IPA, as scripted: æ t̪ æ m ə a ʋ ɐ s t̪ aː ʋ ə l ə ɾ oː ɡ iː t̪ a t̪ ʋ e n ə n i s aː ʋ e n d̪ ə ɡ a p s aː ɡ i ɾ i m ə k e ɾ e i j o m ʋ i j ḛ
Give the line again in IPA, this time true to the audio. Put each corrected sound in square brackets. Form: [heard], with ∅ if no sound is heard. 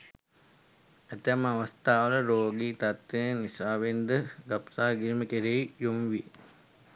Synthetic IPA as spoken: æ t̪ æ m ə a ʋ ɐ s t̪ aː ʋ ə l ə ɾ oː ɡ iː t̪ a t̪ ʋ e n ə n i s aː ʋ e n d̪ ə ɡ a p s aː ɡ i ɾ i m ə k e ɾ e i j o m ʋ i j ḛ